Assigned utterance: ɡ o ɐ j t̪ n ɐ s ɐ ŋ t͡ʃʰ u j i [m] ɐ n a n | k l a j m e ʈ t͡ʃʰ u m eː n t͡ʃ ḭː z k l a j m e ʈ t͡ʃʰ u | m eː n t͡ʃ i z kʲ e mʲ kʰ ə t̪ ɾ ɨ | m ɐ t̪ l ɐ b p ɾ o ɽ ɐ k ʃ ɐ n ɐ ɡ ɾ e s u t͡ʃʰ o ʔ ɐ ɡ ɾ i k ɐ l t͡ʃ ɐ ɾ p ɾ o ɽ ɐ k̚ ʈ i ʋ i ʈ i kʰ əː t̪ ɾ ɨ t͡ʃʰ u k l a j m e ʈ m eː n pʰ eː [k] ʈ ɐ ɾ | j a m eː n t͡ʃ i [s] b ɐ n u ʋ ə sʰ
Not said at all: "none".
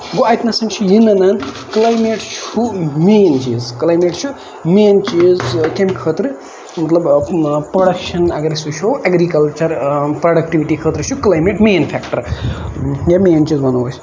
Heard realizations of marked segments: n, k, z

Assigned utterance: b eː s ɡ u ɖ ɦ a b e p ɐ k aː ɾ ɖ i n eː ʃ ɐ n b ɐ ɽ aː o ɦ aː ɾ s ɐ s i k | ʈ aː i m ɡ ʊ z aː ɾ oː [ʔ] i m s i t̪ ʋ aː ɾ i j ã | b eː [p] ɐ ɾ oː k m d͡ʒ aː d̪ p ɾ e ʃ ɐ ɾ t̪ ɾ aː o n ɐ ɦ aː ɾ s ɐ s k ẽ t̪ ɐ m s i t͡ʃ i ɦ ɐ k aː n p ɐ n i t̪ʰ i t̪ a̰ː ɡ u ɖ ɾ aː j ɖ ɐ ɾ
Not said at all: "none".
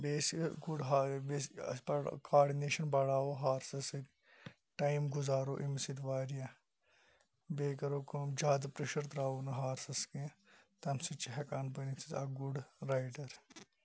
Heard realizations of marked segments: ʔ, k

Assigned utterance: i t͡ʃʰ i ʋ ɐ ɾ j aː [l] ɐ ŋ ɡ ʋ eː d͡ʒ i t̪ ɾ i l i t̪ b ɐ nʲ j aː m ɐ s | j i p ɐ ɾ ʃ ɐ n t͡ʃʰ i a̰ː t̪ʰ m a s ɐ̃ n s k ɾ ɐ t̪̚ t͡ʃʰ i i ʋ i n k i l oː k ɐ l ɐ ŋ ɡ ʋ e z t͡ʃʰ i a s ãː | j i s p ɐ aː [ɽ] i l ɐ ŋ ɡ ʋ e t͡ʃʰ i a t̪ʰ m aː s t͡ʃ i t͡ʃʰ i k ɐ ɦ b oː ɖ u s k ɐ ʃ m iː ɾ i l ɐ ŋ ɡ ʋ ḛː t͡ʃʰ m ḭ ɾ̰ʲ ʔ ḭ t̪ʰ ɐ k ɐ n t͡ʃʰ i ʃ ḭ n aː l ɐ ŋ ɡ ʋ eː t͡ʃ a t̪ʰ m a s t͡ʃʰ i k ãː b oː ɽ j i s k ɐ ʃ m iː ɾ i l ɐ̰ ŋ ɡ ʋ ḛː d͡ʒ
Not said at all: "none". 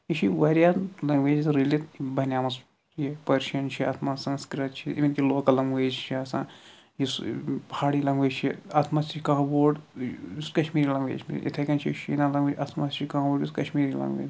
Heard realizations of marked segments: l, ɽ

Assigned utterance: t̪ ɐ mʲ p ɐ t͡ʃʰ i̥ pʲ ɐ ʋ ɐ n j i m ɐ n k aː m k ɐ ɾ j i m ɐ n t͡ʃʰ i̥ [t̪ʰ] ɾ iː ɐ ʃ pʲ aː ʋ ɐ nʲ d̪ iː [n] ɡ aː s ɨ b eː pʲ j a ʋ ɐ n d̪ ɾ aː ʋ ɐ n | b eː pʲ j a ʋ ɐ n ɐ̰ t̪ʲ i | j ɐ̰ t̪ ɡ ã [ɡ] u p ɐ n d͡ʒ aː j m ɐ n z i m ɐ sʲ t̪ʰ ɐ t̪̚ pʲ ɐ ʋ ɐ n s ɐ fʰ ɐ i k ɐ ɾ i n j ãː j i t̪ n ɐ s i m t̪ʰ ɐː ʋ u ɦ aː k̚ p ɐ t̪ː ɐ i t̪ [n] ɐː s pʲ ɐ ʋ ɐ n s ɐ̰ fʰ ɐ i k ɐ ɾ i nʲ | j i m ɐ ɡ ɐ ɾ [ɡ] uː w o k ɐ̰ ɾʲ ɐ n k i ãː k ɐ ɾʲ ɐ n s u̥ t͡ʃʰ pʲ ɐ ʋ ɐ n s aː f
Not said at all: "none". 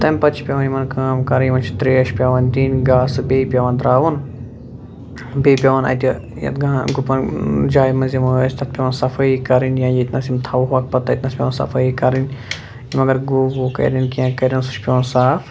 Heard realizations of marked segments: t̪, n, ɡ, n, ɡ

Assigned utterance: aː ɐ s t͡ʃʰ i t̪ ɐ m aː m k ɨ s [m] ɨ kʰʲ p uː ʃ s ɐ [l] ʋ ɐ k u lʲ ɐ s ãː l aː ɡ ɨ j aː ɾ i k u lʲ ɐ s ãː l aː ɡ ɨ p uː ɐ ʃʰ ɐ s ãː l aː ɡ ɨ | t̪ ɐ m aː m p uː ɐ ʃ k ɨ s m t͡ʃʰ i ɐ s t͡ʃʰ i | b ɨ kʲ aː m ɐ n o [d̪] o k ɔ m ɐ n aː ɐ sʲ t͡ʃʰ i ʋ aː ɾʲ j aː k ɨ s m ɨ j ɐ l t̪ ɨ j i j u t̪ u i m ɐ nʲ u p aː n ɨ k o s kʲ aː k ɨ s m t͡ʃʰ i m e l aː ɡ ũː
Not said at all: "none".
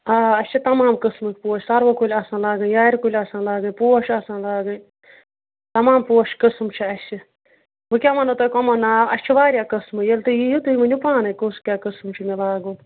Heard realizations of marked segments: m, ɾ, t̪

